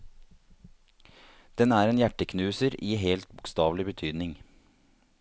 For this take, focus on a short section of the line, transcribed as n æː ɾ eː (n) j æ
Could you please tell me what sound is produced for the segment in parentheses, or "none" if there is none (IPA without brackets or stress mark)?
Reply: n